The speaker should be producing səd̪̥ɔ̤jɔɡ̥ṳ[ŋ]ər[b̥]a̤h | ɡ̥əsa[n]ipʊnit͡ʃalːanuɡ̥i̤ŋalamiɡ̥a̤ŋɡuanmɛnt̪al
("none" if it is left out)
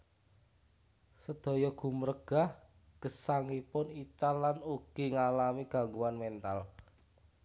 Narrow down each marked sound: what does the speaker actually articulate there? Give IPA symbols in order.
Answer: m, ɡ̥, ŋ

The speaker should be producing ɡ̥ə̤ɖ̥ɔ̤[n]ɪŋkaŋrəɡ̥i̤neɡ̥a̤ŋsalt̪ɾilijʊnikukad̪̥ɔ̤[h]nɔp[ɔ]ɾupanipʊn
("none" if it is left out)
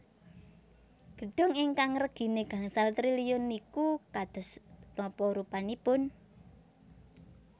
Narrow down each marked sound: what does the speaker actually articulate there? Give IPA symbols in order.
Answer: ŋ, s, ɔ

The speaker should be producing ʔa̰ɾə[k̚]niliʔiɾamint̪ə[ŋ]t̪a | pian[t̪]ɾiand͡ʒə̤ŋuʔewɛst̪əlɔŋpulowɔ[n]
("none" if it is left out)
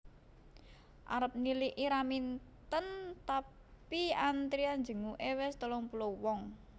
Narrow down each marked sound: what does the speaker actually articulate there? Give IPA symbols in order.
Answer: p̚, n, t̪, ŋ

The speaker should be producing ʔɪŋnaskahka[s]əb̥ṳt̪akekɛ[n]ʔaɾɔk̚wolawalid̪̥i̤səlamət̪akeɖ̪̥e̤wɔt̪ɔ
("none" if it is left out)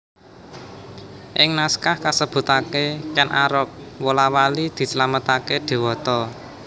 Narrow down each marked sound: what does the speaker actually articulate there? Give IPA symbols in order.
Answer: s, n

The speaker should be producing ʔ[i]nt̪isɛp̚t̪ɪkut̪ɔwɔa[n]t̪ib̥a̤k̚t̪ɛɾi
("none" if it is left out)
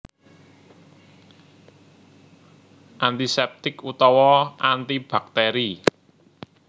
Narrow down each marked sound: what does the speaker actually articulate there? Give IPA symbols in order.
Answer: a, n

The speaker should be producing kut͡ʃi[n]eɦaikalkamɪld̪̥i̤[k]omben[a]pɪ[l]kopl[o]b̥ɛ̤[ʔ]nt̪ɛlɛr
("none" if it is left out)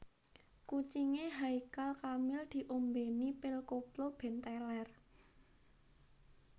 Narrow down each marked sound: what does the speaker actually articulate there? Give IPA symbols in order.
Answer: ŋ, ʔ, i, l, o, none

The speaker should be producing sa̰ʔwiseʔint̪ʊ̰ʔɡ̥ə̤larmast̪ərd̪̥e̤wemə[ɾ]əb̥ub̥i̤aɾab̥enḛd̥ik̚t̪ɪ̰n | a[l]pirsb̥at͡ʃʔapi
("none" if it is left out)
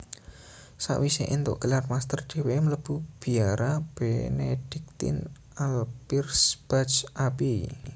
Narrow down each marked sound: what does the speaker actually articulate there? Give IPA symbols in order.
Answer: l, l

